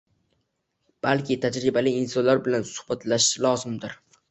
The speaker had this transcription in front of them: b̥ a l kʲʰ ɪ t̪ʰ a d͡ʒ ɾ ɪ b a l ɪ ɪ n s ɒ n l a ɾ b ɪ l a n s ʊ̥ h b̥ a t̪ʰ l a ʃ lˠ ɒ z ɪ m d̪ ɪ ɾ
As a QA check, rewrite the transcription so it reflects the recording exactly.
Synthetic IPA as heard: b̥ a l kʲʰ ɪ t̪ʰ a d͡ʒ ɾ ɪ b a l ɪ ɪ n s ɒ n l a ɾ b ɪ l a n s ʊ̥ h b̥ a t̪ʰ l a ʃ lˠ ɒ z ɪ m d̪ ɪ ɾ